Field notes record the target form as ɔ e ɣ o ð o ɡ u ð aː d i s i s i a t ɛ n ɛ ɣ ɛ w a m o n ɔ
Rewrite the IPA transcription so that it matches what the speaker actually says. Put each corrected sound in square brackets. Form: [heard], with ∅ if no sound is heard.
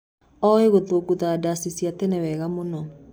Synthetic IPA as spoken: ɔ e ɣ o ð o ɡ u ð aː d [a] s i s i a t ɛ n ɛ [w] ɛ [ɣ] a m o n ɔ